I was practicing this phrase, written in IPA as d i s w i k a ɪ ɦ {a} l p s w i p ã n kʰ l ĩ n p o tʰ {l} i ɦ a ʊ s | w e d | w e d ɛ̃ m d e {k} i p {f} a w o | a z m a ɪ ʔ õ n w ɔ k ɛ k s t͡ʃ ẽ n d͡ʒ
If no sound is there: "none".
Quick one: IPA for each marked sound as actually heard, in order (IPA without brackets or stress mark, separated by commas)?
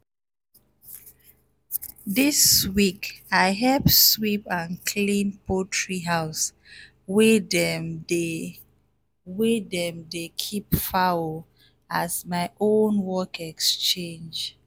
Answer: ɛ, ɹ, kʰ, f